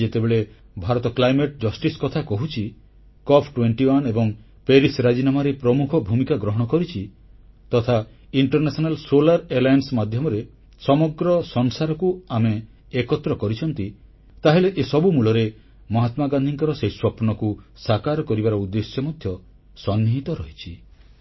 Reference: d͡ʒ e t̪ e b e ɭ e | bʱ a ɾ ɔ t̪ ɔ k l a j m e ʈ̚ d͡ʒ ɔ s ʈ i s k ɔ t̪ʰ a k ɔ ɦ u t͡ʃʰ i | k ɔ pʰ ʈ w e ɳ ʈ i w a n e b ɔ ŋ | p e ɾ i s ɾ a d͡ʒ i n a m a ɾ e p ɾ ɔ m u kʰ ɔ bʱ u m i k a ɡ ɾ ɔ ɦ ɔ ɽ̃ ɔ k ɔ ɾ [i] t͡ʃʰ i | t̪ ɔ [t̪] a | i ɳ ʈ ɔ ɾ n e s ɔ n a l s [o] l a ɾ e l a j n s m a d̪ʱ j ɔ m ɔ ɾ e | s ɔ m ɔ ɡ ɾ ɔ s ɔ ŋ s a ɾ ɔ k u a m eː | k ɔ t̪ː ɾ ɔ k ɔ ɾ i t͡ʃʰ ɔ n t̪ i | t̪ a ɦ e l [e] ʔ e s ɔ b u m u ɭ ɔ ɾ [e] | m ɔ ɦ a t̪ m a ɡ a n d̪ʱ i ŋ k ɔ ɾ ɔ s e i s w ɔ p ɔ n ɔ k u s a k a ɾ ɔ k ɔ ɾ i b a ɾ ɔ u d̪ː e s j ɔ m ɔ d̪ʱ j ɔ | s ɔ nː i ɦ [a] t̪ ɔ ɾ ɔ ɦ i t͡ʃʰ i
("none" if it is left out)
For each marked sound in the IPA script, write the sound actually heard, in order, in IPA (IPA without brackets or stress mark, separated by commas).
i, t̪ʰ, o, e, e, i